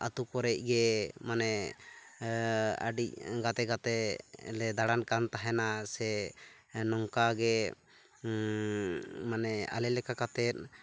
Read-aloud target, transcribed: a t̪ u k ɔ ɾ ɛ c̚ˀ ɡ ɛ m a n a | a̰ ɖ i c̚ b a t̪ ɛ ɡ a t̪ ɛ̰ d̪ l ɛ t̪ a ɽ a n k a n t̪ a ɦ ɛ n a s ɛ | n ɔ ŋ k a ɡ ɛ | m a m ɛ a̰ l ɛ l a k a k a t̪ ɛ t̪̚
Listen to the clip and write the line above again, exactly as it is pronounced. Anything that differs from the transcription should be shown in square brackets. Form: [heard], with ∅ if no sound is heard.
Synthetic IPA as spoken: a t̪ u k ɔ ɾ ɛ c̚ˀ ɡ ɛ m a n [ɛ] | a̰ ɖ i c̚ [ɡ] a t̪ ɛ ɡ a t̪ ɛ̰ [∅] l ɛ [d̪] a ɽ a n k a n t̪ a ɦ ɛ n a s ɛ | n ɔ ŋ k a ɡ ɛ | m a [n] ɛ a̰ l ɛ l [ɛ] k a k a t̪ ɛ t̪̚